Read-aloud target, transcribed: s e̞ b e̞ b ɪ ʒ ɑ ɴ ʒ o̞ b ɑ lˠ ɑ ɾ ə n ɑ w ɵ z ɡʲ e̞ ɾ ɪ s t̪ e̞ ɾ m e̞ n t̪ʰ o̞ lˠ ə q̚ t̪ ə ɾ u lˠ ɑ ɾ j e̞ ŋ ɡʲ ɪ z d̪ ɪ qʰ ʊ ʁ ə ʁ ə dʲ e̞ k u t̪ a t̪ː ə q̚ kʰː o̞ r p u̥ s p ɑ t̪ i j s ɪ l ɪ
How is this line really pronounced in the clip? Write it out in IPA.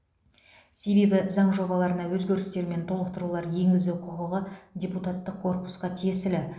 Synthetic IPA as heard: s e̞ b e̞ b ɪ z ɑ ɴ ʒ o̞ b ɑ lˠ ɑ ɾ ə n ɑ w ɵ z ɡʲ e̞ ɾ ɪ s t̪ e̞ ɾ m e̞ n t̪ʰ o̞ lˠ ə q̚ t̪ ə ɾ u lˠ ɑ ɾ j e̞ ŋ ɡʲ ɪ z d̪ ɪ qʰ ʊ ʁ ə ʁ ə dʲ e̞ p u t̪ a t̪ː ə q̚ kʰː o̞ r p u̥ s q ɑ t̪ʰ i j s ɪ l ɪ